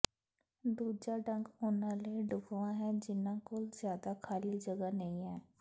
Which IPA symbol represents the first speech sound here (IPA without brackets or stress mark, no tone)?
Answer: d̪